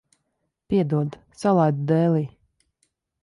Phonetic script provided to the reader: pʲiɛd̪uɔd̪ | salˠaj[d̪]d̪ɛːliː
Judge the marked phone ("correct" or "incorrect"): correct